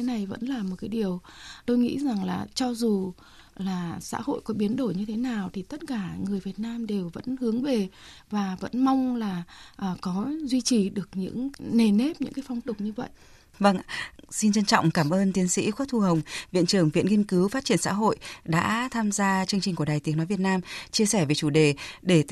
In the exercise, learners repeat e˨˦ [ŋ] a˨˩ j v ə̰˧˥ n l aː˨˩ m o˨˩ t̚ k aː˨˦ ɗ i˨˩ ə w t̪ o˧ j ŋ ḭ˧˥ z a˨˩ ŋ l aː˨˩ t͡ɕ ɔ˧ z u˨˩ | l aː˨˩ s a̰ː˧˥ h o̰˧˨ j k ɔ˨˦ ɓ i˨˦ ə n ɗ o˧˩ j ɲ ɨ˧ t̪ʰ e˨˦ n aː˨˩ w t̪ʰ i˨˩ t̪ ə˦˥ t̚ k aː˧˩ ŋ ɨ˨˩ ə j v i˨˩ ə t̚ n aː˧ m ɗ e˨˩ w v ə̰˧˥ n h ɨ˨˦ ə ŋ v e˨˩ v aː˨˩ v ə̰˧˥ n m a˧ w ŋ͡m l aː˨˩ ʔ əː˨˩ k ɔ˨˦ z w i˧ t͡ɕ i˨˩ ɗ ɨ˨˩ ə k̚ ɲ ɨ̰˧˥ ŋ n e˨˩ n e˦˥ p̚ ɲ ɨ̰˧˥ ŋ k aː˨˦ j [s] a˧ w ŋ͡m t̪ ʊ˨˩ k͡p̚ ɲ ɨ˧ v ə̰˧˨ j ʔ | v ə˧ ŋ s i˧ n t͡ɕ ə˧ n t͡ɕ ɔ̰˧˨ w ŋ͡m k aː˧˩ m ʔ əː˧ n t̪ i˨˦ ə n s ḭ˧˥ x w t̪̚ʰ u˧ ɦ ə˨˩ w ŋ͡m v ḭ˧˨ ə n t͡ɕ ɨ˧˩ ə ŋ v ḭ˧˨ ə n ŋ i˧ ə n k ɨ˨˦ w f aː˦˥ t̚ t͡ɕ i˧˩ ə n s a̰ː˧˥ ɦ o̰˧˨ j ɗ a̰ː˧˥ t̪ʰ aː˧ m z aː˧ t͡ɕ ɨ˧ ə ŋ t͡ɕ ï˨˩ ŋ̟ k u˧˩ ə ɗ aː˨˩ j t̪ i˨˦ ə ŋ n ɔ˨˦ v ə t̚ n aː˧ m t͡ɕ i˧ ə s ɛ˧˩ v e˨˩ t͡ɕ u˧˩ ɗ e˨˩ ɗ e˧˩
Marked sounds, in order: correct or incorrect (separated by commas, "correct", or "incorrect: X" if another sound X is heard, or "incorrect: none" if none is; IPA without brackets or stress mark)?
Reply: incorrect: n, incorrect: f